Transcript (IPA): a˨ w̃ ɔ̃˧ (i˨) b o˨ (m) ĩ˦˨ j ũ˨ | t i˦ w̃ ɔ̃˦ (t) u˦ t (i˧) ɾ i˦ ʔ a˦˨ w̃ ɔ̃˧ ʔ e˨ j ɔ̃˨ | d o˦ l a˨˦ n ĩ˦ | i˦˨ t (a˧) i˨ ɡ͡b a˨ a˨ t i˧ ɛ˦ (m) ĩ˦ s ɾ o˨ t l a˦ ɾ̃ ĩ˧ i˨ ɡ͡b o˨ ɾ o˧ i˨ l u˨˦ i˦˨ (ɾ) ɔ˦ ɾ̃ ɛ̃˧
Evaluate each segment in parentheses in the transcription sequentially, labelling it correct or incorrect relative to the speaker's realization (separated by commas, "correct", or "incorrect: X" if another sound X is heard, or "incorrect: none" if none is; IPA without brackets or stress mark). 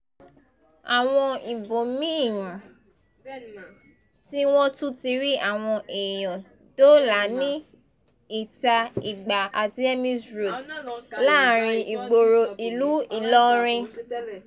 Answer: correct, correct, correct, correct, correct, correct, incorrect: l